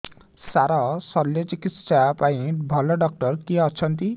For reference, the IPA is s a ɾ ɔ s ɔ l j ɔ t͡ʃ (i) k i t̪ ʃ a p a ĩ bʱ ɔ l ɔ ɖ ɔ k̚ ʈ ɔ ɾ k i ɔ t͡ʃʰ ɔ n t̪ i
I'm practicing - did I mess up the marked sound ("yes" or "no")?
no